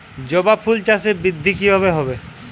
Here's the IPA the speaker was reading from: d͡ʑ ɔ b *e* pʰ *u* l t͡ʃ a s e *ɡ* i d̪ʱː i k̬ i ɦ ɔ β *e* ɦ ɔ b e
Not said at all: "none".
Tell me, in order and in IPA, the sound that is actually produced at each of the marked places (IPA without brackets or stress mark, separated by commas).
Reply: a, u, b, e